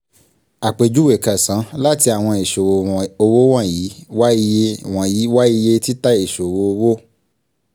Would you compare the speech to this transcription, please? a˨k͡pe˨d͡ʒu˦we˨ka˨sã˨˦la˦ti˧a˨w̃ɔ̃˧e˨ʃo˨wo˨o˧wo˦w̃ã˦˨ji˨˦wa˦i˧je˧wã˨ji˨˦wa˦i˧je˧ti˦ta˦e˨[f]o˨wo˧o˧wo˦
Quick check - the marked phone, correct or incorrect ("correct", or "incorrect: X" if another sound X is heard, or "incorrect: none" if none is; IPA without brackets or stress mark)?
incorrect: ʃ